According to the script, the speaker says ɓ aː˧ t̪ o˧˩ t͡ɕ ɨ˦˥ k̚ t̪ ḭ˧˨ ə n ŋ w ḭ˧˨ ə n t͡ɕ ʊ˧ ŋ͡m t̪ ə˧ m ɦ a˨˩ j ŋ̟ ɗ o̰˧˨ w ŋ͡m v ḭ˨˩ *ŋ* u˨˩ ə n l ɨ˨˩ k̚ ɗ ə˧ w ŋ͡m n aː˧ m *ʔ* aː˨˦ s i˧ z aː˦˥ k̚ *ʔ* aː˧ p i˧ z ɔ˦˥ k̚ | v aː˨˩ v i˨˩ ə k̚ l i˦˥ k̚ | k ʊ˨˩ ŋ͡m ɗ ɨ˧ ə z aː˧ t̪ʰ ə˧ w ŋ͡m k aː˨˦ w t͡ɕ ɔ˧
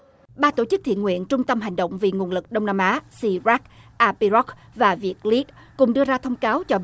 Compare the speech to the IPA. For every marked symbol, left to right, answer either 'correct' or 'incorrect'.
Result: correct, correct, correct

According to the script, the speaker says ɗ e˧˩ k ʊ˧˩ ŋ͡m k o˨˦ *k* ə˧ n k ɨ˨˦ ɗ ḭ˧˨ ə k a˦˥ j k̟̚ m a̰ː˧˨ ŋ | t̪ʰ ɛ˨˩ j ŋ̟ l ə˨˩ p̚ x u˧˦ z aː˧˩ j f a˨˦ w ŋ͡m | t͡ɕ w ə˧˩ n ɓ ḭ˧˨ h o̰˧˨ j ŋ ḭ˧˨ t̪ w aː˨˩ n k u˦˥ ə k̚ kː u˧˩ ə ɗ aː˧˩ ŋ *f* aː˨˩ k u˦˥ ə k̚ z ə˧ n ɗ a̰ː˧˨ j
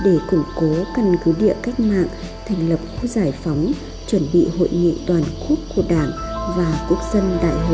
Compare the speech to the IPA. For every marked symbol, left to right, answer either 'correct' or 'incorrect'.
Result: correct, incorrect

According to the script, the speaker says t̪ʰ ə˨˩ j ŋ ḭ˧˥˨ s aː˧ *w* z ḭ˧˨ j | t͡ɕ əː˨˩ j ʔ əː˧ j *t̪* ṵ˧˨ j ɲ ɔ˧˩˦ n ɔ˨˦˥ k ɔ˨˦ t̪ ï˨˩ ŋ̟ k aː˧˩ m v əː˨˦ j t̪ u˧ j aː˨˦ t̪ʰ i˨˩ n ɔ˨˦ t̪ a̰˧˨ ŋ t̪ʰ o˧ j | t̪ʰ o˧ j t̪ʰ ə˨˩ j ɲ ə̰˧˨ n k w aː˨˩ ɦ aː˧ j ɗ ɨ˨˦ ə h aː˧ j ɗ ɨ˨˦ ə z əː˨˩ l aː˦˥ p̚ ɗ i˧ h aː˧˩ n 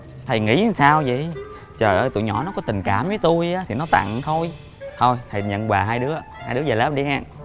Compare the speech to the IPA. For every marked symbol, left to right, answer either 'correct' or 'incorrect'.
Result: correct, correct

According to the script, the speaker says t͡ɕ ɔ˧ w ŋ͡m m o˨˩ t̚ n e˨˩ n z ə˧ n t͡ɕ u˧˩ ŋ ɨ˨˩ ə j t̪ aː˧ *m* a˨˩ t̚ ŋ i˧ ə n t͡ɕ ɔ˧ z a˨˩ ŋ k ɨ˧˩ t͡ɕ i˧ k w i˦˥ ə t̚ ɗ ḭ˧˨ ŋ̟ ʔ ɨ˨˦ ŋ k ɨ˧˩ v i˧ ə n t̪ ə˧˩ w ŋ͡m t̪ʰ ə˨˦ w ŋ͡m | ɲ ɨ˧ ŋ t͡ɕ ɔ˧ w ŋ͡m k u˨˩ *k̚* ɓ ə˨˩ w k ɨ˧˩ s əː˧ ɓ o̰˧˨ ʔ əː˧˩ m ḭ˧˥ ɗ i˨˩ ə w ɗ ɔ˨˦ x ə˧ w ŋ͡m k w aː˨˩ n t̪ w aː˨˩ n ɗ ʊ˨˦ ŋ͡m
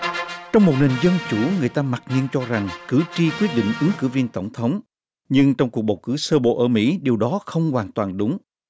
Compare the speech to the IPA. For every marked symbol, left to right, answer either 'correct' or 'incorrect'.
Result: correct, correct

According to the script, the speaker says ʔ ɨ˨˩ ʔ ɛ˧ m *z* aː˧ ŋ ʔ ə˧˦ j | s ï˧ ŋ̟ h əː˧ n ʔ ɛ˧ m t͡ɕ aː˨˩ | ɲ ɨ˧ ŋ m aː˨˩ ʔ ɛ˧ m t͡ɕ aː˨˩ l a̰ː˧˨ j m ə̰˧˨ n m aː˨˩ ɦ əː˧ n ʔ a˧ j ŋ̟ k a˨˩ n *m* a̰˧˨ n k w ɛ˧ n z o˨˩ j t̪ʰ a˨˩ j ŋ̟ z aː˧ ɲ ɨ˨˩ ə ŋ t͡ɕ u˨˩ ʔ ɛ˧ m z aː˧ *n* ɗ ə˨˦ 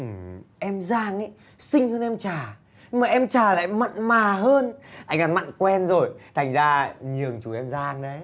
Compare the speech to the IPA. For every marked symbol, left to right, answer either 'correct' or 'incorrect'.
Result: correct, correct, incorrect

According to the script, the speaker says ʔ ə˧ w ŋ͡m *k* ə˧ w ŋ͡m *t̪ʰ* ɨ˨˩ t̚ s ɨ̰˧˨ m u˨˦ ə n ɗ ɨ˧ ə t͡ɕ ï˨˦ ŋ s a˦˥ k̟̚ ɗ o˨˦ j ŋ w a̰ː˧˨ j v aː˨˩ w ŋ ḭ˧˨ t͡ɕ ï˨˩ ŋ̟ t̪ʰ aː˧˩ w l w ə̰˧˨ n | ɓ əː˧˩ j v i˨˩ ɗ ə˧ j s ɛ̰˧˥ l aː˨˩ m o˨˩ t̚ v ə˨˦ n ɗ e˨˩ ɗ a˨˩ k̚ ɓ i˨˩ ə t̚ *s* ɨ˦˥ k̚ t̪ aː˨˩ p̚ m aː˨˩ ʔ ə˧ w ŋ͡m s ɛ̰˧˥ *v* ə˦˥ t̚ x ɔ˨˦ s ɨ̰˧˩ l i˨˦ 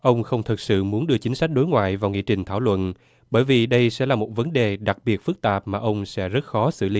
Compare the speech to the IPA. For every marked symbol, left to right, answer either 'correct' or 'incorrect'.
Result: incorrect, correct, incorrect, incorrect

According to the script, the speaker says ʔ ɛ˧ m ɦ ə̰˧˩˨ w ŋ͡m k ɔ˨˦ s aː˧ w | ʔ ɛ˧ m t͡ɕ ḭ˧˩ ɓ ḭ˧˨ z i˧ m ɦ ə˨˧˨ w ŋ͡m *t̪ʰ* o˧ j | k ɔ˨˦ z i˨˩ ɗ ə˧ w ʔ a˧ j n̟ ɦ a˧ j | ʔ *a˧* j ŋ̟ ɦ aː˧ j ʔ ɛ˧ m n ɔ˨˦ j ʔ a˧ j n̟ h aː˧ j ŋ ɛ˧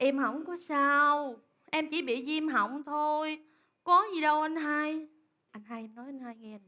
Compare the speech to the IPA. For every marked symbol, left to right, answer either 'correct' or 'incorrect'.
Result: correct, correct

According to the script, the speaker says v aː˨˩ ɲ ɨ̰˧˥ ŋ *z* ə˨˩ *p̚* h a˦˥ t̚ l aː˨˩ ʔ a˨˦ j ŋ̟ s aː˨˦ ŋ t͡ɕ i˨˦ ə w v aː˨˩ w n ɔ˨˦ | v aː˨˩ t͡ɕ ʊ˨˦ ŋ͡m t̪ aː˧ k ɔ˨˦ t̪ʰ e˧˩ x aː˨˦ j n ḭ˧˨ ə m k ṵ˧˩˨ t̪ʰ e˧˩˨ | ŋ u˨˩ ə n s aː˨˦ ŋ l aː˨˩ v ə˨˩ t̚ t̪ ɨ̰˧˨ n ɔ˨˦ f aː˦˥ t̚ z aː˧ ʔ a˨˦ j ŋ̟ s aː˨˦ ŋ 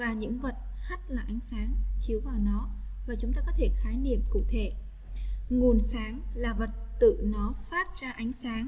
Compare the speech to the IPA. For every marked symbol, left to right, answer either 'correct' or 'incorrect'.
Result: incorrect, incorrect

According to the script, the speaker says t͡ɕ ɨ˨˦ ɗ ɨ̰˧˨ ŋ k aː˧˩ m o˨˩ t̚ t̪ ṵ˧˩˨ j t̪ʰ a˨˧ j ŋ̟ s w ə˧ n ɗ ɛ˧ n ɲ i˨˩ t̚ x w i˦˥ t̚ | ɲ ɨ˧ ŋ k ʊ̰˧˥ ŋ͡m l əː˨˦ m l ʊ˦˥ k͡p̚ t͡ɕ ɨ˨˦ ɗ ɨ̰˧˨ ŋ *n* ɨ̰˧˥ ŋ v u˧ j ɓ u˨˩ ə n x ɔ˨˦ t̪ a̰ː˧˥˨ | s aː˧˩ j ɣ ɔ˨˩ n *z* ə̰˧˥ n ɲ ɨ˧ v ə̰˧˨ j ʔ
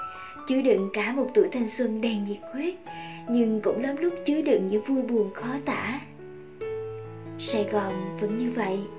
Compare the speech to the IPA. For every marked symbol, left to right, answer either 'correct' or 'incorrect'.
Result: incorrect, incorrect

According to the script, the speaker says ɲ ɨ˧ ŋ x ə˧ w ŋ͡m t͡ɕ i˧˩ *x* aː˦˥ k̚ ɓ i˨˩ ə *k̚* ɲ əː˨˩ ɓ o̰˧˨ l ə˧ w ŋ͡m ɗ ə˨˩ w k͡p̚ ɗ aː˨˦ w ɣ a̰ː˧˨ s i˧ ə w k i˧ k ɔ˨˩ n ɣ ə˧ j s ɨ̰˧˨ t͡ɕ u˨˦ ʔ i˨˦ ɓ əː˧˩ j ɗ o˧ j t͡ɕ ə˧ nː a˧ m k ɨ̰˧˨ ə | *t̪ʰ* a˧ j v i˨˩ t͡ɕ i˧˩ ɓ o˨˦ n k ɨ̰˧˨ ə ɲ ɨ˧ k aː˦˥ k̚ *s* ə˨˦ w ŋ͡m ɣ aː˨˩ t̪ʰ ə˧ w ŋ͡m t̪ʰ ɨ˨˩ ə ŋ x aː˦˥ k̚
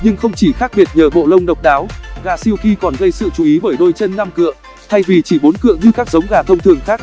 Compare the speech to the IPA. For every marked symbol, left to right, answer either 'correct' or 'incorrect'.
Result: correct, incorrect, correct, incorrect

